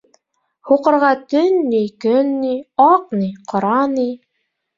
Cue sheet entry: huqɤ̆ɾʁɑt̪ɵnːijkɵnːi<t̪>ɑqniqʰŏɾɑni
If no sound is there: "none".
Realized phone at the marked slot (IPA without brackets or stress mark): none